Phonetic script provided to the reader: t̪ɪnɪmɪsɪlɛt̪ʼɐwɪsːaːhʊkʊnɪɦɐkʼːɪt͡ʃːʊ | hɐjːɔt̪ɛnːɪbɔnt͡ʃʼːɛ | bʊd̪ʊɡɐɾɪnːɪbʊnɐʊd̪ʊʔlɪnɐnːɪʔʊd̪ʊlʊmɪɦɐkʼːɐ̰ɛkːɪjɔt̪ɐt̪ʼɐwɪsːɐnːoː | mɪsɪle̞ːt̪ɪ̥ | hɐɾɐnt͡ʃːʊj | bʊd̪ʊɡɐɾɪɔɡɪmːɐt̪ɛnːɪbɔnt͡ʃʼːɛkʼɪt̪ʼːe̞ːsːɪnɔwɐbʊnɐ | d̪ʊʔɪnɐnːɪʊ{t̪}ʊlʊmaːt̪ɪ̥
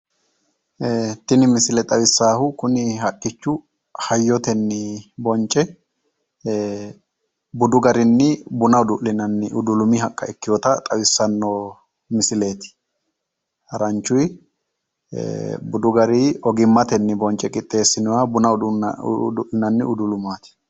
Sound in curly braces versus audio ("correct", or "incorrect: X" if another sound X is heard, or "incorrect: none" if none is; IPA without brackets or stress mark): incorrect: d̪